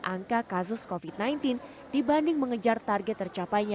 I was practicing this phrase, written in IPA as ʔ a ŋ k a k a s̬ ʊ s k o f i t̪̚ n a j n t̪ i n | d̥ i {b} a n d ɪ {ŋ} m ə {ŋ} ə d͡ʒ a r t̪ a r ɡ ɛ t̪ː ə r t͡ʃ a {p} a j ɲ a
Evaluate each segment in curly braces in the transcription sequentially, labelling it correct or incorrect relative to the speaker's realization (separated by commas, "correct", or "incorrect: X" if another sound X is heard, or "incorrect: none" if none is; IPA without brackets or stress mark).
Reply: correct, correct, correct, correct